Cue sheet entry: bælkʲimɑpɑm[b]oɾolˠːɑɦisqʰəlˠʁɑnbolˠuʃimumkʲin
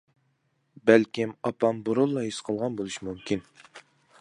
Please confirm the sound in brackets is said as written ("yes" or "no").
yes